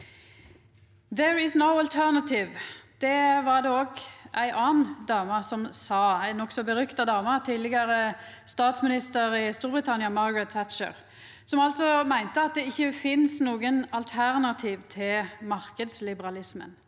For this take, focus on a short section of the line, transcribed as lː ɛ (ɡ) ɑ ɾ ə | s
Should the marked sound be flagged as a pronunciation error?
no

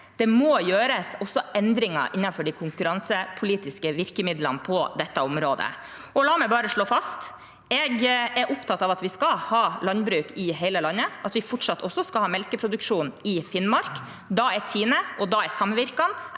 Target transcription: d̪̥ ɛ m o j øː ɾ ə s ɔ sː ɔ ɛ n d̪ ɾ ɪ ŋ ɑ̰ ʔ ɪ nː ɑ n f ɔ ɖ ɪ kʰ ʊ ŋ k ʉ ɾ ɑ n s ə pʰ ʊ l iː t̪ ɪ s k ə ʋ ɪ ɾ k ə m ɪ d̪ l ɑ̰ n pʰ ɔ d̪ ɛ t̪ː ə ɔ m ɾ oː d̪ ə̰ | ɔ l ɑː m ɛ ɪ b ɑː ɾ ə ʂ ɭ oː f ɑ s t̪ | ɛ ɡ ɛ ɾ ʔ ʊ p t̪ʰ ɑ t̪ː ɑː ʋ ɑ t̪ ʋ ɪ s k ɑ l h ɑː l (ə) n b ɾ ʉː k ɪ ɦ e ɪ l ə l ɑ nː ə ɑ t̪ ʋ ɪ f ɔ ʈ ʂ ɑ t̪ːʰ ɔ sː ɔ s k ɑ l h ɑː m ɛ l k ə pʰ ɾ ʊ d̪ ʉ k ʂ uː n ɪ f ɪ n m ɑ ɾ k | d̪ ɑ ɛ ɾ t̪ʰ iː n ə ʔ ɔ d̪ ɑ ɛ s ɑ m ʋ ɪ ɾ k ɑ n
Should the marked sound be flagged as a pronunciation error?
yes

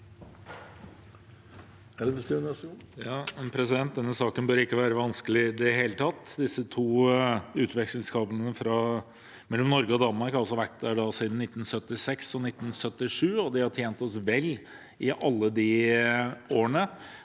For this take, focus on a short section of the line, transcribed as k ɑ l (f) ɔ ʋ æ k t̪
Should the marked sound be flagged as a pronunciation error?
yes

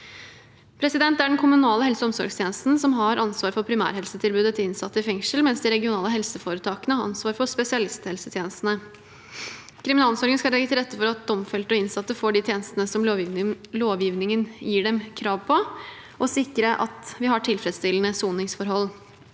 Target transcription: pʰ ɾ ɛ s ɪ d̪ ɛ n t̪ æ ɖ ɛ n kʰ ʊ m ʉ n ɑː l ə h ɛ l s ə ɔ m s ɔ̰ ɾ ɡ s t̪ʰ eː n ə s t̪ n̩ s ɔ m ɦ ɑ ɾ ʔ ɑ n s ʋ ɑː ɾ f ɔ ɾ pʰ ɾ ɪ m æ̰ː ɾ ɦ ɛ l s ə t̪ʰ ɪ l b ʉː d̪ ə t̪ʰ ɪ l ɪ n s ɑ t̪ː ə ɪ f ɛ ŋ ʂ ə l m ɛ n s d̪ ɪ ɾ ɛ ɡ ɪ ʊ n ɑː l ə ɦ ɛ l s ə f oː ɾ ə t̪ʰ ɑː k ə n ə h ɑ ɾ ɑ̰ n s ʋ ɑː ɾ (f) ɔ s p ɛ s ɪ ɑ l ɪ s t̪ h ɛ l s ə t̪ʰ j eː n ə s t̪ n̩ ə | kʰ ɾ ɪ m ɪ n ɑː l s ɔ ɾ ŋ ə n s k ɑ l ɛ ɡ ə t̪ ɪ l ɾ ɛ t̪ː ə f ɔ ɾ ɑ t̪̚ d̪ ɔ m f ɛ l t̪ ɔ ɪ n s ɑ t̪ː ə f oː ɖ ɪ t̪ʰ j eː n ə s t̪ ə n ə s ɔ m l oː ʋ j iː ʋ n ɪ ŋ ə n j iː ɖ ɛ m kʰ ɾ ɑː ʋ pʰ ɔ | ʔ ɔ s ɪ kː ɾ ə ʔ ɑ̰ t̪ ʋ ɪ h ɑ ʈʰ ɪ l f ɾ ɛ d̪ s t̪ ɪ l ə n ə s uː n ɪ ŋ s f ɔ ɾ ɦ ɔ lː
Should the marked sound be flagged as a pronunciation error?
no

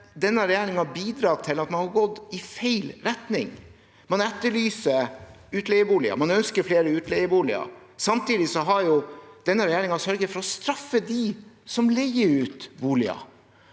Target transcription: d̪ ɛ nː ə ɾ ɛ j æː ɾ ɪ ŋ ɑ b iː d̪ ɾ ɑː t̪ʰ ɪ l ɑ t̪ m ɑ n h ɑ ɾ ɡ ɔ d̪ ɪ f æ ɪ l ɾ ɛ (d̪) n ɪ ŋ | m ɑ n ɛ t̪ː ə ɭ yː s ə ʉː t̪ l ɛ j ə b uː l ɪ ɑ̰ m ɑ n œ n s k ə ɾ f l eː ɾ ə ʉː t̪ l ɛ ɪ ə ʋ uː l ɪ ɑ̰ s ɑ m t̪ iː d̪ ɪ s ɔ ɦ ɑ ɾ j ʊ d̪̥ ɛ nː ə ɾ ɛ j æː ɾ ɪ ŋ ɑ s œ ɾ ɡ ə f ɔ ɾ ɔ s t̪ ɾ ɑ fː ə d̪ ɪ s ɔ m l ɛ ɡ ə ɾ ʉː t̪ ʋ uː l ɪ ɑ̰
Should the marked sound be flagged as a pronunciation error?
yes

